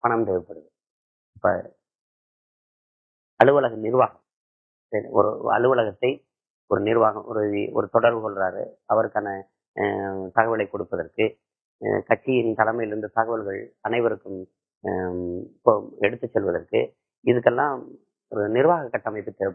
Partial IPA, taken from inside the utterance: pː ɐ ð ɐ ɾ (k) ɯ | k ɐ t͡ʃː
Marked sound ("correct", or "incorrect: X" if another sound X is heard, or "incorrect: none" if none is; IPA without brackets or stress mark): correct